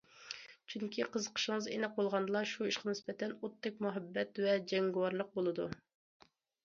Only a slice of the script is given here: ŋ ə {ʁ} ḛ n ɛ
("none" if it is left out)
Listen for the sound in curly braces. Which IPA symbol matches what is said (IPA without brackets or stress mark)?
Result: z